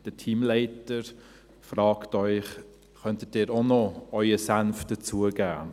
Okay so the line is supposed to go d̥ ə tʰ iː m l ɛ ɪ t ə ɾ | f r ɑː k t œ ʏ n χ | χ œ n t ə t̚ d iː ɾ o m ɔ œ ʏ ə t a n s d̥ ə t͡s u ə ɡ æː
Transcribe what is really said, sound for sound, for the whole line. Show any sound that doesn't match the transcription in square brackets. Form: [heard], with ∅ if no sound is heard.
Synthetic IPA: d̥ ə tʰ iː m l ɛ ɪ t ə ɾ | f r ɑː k t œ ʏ [∅] χ | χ œ n t ə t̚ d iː ɾ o [n] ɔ œ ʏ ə [s] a n [f] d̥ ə t͡s u ə ɡ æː